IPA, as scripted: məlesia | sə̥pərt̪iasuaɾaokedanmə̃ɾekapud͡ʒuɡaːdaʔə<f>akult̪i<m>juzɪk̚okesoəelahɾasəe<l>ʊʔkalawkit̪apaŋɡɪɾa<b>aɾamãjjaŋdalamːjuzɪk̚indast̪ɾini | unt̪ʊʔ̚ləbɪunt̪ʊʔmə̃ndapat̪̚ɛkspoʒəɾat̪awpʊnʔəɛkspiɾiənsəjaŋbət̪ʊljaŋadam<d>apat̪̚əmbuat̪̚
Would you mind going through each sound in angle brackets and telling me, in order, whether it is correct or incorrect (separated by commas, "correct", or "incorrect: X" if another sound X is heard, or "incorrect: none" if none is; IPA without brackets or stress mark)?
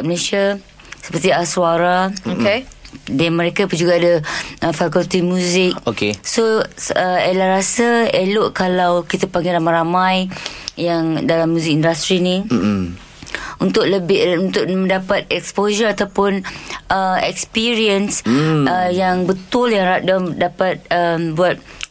correct, correct, correct, incorrect: m, correct